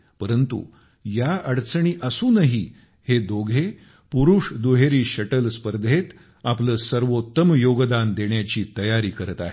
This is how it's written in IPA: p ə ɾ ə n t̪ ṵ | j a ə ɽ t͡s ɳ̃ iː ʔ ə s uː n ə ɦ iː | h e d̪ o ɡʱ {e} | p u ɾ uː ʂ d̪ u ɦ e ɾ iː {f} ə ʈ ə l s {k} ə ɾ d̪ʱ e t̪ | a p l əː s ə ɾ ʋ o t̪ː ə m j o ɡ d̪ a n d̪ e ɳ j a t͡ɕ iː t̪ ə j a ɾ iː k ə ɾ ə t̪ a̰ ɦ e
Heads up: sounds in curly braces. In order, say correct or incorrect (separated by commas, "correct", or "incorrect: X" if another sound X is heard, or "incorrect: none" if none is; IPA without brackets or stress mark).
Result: correct, incorrect: ɕ, incorrect: p